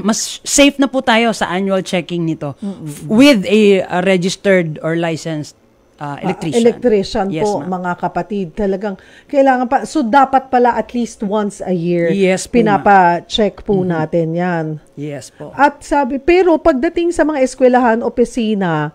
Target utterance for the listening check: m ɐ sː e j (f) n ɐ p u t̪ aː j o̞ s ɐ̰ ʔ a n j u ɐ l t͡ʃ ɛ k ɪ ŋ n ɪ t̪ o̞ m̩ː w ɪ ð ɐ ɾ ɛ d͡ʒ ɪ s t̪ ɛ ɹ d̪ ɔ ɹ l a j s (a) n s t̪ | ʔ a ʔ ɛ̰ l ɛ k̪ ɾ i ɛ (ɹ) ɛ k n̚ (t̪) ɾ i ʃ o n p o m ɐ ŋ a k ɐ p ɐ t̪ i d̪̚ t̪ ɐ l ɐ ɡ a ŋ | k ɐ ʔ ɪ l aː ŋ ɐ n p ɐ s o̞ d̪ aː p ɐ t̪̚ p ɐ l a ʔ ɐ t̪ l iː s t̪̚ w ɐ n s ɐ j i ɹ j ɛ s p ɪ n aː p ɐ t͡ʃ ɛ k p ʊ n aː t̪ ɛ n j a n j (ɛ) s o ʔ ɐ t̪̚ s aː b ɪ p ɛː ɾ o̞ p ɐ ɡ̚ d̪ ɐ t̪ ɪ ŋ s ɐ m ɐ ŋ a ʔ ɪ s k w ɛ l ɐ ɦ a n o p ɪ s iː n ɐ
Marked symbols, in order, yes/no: yes, no, no, yes, yes

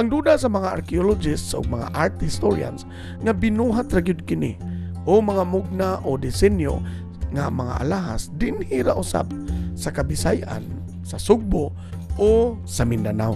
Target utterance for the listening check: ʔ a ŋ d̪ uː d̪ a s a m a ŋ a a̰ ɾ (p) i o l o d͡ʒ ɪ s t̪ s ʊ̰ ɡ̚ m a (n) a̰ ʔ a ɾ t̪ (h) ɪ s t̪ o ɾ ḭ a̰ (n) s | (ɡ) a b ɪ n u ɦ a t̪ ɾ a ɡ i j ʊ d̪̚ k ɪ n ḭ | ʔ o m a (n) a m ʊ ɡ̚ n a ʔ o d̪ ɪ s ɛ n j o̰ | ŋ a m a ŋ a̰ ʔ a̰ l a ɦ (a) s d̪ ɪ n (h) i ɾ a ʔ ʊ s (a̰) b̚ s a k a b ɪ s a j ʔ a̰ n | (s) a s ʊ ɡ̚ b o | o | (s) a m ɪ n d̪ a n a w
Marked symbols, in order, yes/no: no, no, yes, yes, no, no, yes, yes, yes, yes, yes

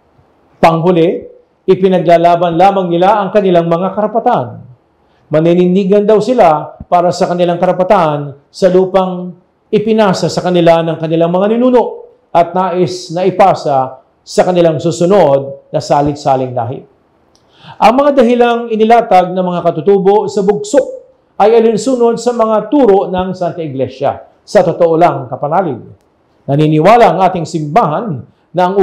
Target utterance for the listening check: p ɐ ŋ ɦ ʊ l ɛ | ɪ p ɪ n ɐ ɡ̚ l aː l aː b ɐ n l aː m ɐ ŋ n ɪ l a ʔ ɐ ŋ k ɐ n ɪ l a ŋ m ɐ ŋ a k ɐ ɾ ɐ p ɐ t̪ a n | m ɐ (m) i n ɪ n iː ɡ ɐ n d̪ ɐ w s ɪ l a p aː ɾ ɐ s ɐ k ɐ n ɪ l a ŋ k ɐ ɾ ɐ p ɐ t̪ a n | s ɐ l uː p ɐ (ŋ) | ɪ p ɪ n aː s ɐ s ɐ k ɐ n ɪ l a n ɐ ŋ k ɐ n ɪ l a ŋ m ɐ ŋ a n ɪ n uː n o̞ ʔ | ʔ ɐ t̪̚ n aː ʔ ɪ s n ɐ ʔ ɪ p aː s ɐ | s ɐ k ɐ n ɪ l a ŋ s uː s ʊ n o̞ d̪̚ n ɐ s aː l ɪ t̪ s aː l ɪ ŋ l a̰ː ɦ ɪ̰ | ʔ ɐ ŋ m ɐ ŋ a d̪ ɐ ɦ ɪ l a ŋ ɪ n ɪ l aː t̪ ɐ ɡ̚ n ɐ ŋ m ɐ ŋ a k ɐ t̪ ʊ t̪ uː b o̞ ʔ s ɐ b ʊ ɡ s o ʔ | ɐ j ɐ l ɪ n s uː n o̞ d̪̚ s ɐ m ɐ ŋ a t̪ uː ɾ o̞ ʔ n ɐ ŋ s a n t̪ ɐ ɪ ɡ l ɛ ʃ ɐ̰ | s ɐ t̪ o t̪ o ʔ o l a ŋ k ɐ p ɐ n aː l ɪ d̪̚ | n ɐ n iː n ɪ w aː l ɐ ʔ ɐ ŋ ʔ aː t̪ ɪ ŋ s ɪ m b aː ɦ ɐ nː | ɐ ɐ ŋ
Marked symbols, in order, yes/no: no, yes

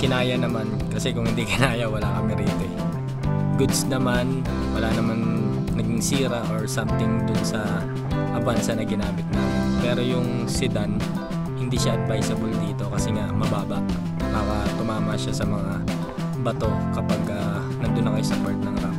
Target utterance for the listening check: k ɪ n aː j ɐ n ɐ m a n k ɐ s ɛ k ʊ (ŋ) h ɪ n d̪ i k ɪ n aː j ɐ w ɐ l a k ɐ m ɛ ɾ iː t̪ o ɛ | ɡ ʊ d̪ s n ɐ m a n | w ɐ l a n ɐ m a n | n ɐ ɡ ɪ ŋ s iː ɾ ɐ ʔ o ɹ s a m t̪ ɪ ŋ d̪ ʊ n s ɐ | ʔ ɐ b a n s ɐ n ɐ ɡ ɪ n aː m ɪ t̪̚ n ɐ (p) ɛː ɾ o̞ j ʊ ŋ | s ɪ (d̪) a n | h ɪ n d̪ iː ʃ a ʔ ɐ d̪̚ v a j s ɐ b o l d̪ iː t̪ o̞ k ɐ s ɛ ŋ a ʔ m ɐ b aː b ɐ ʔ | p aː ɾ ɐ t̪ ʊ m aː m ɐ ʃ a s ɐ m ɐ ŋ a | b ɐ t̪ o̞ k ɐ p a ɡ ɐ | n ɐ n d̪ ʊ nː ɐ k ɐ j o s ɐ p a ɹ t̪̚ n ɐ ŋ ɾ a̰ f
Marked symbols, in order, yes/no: yes, yes, yes

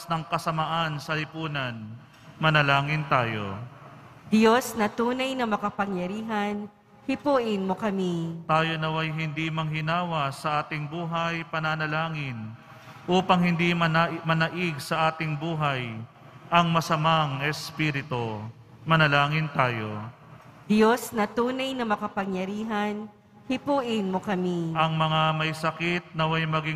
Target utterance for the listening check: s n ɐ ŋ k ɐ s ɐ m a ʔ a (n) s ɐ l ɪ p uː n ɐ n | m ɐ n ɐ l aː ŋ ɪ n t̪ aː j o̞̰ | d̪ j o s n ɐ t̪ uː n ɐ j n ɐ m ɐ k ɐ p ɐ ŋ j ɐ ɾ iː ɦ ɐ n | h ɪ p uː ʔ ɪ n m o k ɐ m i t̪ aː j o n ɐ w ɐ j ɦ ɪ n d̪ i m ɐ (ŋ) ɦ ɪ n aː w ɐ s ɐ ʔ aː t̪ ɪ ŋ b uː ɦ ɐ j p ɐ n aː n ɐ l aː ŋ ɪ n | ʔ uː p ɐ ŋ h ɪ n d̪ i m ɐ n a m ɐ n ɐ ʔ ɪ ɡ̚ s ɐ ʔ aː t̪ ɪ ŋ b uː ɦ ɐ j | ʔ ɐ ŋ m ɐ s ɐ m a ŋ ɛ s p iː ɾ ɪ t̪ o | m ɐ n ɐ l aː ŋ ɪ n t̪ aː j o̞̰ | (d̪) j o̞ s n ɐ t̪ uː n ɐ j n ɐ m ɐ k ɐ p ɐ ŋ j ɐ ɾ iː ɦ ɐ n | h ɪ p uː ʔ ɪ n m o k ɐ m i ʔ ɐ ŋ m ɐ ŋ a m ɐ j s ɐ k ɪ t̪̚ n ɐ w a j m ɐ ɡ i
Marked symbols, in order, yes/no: yes, yes, yes

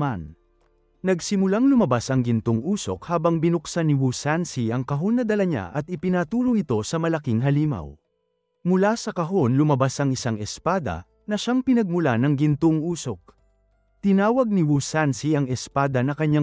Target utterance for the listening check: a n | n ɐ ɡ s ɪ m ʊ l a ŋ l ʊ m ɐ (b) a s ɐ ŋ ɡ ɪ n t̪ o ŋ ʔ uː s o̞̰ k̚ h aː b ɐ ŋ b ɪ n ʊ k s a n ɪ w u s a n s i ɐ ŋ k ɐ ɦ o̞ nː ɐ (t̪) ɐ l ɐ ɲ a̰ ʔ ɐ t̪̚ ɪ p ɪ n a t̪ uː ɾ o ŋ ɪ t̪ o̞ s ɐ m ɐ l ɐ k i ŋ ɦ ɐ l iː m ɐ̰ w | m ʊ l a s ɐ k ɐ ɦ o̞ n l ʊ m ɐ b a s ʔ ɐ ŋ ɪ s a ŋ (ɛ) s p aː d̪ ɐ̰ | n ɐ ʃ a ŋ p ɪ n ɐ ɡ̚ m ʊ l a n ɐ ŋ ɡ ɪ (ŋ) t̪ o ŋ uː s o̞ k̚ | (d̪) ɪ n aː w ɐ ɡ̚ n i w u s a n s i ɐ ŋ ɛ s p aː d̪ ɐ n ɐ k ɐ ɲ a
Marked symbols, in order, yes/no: yes, no, yes, no, no

